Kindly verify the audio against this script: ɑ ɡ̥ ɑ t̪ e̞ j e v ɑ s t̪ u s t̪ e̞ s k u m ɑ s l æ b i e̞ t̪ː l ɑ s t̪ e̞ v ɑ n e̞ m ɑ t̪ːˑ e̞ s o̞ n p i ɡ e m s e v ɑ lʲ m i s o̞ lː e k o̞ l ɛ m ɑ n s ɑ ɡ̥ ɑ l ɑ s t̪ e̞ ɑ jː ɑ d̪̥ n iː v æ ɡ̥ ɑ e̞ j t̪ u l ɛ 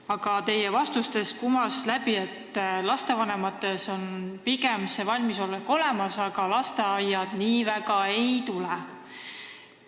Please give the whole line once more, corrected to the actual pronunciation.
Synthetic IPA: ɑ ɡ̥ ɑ t̪ e̞ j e v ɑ s t̪ u s t̪ e̞ s k u m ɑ s l æ b i e̞ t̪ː l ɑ s t̪ e̞ v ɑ n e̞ m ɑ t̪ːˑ e̞ s o̞ n p i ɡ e m s e v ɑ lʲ m i s o̞ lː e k o̞ l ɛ m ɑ s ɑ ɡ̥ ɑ l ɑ s t̪ e̞ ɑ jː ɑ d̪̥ n iː v æ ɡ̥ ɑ e̞ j t̪ u l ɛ